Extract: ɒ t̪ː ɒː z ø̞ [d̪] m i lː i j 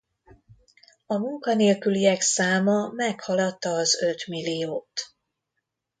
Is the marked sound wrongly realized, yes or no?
yes